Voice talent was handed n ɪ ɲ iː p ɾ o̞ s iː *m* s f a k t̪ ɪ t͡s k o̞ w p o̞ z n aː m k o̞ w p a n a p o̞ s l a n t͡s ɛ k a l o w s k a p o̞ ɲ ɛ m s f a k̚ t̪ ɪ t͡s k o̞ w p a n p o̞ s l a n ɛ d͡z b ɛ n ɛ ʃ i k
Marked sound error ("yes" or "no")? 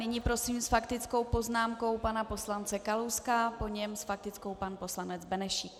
no